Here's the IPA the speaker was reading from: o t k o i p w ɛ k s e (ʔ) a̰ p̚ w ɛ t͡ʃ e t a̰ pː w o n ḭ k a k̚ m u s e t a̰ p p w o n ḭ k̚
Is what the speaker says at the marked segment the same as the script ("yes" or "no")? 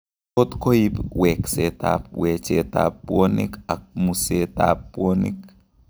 no